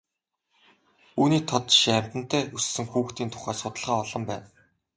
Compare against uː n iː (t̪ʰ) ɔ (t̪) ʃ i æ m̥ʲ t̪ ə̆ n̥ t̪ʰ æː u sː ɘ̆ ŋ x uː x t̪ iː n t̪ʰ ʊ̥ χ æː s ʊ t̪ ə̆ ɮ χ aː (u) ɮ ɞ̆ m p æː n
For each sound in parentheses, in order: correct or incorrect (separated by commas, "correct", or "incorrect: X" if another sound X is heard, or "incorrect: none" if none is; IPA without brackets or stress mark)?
correct, correct, incorrect: ɔ